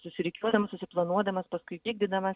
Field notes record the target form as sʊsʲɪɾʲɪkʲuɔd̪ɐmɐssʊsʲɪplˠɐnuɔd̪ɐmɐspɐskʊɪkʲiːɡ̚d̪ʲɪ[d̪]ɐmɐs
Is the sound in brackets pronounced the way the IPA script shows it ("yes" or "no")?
yes